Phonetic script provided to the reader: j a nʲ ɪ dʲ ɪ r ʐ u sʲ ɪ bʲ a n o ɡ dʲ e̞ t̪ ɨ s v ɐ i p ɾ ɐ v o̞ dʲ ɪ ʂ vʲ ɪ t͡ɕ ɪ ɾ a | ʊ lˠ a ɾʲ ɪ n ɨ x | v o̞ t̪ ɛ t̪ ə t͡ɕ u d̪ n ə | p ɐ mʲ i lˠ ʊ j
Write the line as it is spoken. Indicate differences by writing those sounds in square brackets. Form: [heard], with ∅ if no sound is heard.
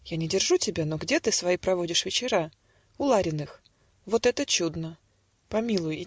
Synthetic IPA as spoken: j a nʲ ɪ dʲ ɪ r ʐ u [tʲ] ɪ bʲ a n o ɡ dʲ e̞ t̪ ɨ s v ɐ i p ɾ ɐ v o̞ dʲ ɪ ʂ vʲ ɪ t͡ɕ ɪ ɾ a | ʊ lˠ a ɾʲ ɪ n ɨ x | v o̞ t̪ ɛ t̪ ə t͡ɕ u d̪ n ə | p ɐ mʲ i lˠ ʊ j

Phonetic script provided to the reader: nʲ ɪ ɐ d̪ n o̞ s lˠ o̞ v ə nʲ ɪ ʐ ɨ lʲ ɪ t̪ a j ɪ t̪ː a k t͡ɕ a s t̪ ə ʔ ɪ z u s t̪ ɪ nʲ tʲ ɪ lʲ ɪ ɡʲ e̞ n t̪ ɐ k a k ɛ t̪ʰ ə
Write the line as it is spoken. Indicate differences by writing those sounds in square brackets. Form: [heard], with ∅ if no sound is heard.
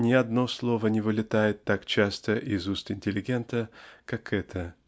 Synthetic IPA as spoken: nʲ ɪ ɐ d̪ n o̞ s lˠ o̞ v ə nʲ ɪ [v] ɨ lʲ ɪ t̪ a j ɪ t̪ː a k t͡ɕ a s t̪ ə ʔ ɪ z u s t̪ ɪ nʲ tʲ ɪ lʲ ɪ ɡʲ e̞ n t̪ [ə] k a k ɛ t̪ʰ ə

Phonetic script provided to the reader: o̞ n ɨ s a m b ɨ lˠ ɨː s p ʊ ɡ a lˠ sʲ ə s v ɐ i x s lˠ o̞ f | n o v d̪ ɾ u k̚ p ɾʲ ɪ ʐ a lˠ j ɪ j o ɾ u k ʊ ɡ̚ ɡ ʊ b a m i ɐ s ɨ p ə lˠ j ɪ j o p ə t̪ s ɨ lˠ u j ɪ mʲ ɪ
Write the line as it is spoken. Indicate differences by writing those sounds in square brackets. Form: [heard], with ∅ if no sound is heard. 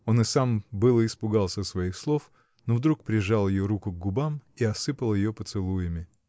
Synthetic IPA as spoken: o̞ n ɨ s a m b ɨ lˠ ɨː s p ʊ ɡ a lˠ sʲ ə s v ɐ i x s lˠ o̞ f | n o v d̪ ɾ u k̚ p ɾʲ ɪ ʐ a lˠ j ɪ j o ɾ u k ʊ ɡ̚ ɡ ʊ b a m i ɐ s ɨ p ə lˠ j ɪ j o p ə t̪ s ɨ lˠ u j ɪ mʲ ɪ

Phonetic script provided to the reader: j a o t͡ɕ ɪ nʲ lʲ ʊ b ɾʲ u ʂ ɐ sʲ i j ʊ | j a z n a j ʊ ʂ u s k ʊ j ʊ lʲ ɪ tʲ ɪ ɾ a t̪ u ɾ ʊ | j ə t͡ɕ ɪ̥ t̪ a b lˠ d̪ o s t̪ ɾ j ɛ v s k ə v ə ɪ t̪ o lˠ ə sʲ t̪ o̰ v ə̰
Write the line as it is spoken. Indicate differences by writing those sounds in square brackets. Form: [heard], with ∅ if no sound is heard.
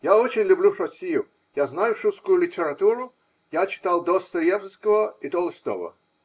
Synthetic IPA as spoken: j a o t͡ɕ ɪ nʲ lʲ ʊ b [lʲ] u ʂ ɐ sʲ i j ʊ | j a z n a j ʊ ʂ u s k ʊ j ʊ lʲ ɪ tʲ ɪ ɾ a t̪ u ɾ ʊ | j [a] t͡ɕ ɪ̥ t̪ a [∅] lˠ d̪ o s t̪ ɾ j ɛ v s k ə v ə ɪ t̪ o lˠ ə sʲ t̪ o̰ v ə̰

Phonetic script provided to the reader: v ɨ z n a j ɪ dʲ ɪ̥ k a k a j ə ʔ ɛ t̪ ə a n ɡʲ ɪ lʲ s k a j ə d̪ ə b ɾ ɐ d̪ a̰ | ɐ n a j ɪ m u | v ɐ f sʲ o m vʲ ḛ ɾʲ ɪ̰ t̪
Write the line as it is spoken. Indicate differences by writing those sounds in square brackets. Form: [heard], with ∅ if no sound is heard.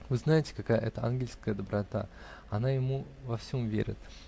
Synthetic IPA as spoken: v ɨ z n a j ɪ [tʲ] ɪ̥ k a k a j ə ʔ ɛ t̪ ə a n ɡʲ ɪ lʲ s k [ə] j ə d̪ ə b ɾ ɐ [t̪] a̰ | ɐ n a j ɪ m u | v ɐ f sʲ o m vʲ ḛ ɾʲ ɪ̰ t̪

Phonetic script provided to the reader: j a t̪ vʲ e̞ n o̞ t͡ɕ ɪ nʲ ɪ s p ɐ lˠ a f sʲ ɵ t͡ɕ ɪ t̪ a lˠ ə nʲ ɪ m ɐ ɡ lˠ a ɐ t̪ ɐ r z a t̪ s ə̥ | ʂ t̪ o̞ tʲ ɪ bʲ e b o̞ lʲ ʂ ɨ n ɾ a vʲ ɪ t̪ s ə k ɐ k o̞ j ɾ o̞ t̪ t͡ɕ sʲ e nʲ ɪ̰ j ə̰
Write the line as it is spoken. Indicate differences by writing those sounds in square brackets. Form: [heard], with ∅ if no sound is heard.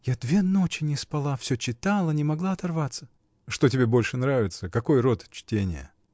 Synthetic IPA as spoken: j a [d̪] vʲ e̞ n o̞ t͡ɕ ɪ nʲ ɪ s p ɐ lˠ a f sʲ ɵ t͡ɕ ɪ t̪ a lˠ ə nʲ ɪ m ɐ ɡ lˠ a ɐ t̪ ɐ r [v] a t̪ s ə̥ | ʂ t̪ o̞ tʲ ɪ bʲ e b o̞ lʲ ʂ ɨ n ɾ a vʲ ɪ t̪ s ə k ɐ k o̞ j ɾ o̞ t̪ t͡ɕ [tʲ] e nʲ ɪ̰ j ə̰

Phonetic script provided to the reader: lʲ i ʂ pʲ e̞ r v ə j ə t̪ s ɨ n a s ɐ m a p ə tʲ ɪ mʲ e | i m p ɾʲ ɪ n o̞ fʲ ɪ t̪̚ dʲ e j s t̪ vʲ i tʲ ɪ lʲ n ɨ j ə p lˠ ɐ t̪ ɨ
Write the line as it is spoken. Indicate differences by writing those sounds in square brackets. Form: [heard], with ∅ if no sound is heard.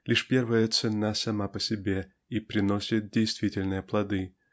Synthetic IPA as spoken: lʲ i ʂ pʲ e̞ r v ə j ə t̪ s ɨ n a s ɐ m a p ə [sʲ] ɪ [bʲ] e | i [∅] p ɾʲ ɪ n o̞ [sʲ] ɪ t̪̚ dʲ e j s t̪ vʲ i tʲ ɪ lʲ n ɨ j ə p lˠ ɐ [d̪] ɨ

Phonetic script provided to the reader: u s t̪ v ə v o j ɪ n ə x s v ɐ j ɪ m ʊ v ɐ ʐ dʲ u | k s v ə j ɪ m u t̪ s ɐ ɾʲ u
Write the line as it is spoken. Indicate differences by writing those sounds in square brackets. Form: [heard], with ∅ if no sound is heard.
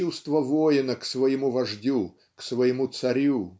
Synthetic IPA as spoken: u s t̪ v ə v o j ɪ n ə [k] s v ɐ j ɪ m [u] v ɐ ʐ dʲ u | k s v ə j ɪ m u t̪ s ɐ ɾʲ u

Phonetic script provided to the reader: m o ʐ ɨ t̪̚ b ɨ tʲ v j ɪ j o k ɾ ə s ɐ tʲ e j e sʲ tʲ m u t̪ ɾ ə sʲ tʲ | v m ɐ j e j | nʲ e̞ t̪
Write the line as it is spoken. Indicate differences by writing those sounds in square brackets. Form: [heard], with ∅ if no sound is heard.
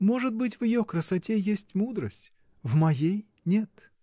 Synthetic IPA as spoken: m o ʐ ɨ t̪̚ b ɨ tʲ v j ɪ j o k ɾ ə s ɐ tʲ e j e sʲ tʲ m u [d̪] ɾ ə sʲ tʲ | v m ɐ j e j | nʲ e̞ t̪

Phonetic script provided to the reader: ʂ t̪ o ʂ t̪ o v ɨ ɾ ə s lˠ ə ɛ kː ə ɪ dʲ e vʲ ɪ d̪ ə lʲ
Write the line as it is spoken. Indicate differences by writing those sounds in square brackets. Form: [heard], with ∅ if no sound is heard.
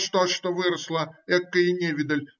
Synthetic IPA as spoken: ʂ t̪ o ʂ t̪ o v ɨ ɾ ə s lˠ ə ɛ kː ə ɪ [nʲ] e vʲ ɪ d̪ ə lʲ

